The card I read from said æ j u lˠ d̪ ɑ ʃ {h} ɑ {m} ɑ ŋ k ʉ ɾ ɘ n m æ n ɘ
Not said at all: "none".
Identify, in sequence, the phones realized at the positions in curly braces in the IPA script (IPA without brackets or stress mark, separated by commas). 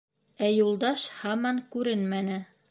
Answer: h, m